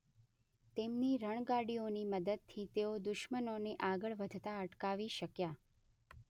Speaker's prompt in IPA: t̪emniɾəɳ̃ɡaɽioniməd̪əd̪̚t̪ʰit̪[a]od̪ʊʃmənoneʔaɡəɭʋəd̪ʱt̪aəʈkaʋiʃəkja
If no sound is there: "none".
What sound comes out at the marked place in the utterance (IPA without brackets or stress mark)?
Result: e